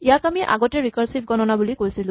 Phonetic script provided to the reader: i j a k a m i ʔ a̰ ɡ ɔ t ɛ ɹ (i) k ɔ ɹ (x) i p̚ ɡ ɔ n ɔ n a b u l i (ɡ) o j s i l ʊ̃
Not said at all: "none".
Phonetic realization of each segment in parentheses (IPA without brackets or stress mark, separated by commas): i, s, k